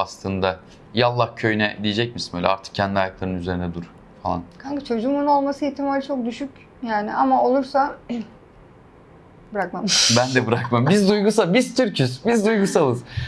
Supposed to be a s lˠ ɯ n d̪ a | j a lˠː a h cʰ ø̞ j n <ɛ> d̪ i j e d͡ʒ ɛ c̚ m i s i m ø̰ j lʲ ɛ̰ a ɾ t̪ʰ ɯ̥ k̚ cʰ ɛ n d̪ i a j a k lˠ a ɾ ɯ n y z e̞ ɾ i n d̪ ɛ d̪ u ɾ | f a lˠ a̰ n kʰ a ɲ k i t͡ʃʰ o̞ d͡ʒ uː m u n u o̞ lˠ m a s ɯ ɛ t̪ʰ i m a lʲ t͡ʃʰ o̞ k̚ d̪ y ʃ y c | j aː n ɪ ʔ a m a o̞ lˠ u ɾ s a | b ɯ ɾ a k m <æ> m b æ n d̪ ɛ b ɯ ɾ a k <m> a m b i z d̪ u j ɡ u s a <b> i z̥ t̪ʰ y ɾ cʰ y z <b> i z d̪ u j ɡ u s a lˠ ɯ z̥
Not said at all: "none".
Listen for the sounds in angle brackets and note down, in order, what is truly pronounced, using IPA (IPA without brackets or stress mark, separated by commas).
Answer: ɛ, a, m, b, b